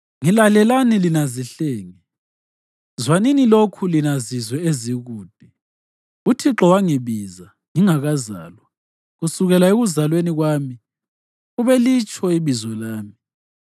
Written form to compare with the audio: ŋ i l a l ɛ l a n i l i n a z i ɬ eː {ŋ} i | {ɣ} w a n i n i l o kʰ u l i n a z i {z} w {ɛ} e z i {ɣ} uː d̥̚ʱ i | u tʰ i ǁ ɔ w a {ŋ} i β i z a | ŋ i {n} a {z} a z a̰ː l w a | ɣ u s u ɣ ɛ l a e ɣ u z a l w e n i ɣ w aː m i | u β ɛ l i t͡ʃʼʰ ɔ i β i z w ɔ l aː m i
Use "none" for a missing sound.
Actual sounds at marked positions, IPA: ŋ, z, z, ɛ, ɣ, ŋ, ŋ, ɣ

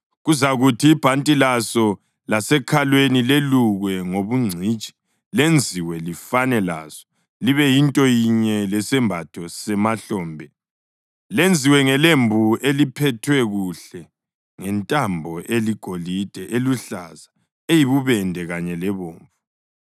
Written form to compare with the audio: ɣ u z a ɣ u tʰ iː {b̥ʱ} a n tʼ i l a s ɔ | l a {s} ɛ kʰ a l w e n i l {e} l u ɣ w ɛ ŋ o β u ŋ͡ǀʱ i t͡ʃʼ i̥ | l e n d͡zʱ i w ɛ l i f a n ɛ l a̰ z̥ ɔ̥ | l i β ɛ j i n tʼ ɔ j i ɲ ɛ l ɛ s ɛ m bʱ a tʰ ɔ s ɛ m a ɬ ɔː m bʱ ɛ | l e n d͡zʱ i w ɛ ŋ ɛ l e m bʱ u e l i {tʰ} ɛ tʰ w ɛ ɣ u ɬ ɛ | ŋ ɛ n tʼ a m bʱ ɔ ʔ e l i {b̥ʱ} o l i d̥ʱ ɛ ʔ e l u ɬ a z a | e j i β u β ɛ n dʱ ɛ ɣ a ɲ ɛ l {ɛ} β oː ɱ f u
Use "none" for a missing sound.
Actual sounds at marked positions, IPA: b̥ʱ, s, e, pʰ, ɡ̥ʱ, ɛ

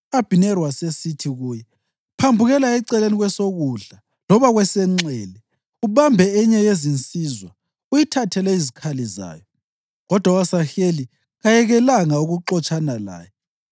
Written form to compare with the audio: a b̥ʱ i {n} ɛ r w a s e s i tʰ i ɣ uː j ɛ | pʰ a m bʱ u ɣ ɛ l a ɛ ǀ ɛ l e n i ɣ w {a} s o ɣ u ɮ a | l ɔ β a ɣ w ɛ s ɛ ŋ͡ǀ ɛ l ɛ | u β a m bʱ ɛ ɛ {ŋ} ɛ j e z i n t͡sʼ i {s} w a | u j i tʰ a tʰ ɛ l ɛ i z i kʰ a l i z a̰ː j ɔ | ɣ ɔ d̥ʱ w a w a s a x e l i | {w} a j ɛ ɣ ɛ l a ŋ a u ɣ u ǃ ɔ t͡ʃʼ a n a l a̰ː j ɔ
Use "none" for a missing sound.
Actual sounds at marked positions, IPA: n, ɛ, ɲ, z, ɣ

